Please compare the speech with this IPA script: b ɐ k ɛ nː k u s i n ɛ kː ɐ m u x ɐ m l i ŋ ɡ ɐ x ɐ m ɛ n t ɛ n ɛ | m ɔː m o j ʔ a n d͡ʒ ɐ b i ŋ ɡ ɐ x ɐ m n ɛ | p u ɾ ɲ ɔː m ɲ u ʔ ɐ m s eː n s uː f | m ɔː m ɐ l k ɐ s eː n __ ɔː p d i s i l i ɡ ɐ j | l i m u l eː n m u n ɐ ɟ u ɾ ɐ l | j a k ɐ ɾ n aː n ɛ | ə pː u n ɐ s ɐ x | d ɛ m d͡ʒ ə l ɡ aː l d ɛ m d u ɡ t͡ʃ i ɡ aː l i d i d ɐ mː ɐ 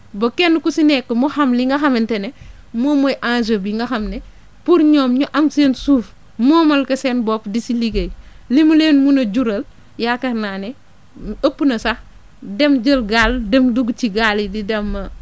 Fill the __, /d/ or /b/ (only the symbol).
b